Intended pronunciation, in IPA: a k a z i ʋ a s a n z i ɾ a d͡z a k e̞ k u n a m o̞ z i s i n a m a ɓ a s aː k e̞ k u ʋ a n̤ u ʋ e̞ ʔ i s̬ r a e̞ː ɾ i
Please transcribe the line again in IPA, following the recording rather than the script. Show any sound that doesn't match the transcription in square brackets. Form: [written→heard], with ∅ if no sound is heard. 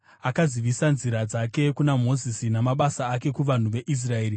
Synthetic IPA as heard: a k a z i ʋ [a→i] s a n z i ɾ a d͡z a k e̞ k u n a m o̞ z i s i n a m a ɓ a s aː k e̞ k u ʋ a n̤ u ʋ e̞ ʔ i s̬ r a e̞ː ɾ i

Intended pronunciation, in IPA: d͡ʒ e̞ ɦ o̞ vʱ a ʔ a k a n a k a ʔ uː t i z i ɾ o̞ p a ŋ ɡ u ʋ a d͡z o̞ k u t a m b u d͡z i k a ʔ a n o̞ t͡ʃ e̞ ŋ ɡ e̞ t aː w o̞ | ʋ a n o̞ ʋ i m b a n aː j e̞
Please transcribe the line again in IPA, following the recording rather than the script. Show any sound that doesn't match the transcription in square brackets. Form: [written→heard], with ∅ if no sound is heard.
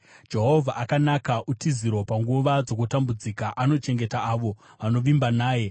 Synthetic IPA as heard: d͡ʒ e̞ ɦ o̞ vʱ a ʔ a k a n a k a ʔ [uː→u] t i z i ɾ o̞ p a ŋ ɡ u ʋ a d͡z o̞ k u t a m b u d͡z i k a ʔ a n o̞ t͡ʃ e̞ ŋ ɡ e̞ t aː [w→ʋ] o̞ | ʋ a n o̞ ʋ i m b a n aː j e̞

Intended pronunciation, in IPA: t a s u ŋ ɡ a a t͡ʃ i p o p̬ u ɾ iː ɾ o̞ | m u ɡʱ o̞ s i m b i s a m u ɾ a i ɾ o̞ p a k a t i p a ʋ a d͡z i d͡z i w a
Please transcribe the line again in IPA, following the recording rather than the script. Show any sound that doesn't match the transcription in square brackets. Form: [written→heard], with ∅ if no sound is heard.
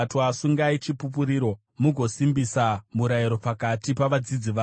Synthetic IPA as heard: t a s u ŋ ɡ a [a→i] t͡ʃ i p [o→u] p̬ u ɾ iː ɾ o̞ | m u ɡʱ o̞ s i m b i s a m u ɾ a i ɾ o̞ p a k a t i p a ʋ a d͡z i d͡z i [w→ʋ] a

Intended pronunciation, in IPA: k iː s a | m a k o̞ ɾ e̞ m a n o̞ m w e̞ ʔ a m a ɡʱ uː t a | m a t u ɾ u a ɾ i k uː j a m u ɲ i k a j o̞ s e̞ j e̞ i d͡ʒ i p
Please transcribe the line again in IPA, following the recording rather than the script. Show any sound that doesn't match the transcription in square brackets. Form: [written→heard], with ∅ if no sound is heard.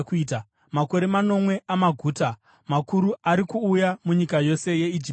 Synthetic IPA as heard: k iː [s→t] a | m a k o̞ ɾ e̞ m a n o̞ m w e̞ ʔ a m a ɡʱ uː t a | m a [t→k] u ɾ u a ɾ i k uː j a m u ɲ i k a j o̞ s e̞ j e̞ i d͡ʒ i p

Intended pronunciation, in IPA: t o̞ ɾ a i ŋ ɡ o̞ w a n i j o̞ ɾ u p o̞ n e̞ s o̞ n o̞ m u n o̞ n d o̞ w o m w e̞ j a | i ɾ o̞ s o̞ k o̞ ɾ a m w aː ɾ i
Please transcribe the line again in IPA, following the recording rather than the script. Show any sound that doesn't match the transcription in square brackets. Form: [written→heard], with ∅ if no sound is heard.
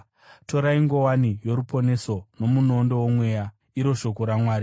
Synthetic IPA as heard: t o̞ ɾ a i ŋ ɡ o̞ w a n i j o̞ ɾ u p o̞ n e̞ s o̞ n o̞ m u n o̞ n d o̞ w o m w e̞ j a | i ɾ o̞ [s→ʃ] o̞ k o̞ ɾ a m w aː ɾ i

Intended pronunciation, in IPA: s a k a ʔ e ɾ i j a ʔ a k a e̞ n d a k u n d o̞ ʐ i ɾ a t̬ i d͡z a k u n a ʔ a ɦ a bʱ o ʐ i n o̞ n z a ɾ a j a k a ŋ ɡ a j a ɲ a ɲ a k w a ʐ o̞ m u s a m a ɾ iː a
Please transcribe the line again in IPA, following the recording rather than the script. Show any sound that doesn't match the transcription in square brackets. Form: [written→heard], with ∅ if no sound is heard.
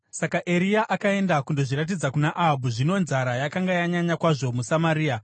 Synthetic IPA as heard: s a k a ʔ e ɾ i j a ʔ a k a e̞ n d a k u n d o̞ ʐ i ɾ a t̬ i d͡z a k u n a ʔ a ɦ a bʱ [o→u] ʐ i n o̞ n z a ɾ a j a k a ŋ ɡ a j a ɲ a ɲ a k w a ʐ o̞ m u s a m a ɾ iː a

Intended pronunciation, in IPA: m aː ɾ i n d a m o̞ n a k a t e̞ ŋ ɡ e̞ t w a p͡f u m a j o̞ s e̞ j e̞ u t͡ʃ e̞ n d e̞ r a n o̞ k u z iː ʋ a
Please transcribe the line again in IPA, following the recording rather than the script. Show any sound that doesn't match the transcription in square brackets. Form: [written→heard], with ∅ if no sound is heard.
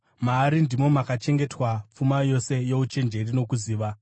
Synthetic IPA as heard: m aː ɾ i n d [a→i] m o̞ [n→m] a k a [t→t͡ʃ] e̞ ŋ ɡ e̞ t w a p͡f u m a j o̞ s e̞ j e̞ u t͡ʃ e̞ n [d→d͡ʒ] e̞ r [a→i] n o̞ k u z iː ʋ a

